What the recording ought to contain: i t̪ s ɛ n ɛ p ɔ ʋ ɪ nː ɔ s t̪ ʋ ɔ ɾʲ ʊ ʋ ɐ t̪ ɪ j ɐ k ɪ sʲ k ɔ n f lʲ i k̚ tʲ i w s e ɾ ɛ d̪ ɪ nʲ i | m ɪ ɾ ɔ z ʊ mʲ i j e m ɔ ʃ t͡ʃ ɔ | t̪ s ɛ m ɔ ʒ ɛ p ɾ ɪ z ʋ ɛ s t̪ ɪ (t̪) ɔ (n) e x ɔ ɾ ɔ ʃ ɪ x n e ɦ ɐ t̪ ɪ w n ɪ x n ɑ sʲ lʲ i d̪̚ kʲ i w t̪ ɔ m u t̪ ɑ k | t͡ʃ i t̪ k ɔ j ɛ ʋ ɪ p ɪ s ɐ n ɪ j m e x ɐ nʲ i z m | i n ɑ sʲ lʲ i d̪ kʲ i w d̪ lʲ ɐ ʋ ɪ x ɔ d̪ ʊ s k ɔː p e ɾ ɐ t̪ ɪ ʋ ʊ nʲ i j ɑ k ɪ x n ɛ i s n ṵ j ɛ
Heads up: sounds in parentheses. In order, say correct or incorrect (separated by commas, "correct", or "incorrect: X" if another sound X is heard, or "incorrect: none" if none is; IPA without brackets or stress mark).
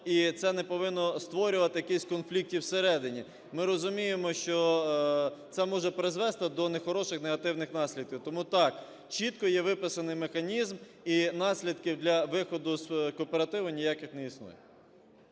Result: incorrect: d̪, correct